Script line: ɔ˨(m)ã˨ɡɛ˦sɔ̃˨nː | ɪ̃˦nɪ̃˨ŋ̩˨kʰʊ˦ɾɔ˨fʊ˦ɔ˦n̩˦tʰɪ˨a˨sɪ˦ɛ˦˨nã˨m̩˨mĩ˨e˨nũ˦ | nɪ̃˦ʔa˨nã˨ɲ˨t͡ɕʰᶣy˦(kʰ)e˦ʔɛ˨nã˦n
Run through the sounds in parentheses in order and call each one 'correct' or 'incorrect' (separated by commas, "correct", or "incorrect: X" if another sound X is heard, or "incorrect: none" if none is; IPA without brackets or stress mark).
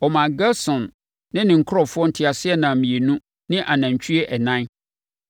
correct, incorrect: none